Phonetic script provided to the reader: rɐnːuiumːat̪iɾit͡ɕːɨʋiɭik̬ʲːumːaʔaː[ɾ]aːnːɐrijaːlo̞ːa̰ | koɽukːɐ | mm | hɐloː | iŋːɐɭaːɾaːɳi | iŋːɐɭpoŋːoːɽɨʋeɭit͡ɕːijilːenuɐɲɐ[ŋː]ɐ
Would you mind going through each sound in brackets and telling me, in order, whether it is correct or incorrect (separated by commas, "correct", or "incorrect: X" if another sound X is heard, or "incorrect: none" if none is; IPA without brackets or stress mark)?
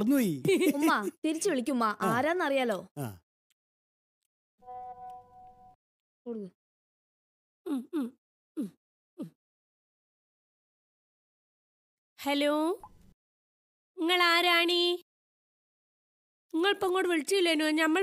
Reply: correct, incorrect: mː